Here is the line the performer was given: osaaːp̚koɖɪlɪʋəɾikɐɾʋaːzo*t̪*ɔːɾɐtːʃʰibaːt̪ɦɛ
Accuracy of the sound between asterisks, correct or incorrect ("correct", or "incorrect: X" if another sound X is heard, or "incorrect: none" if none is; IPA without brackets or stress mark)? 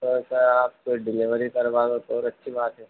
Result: correct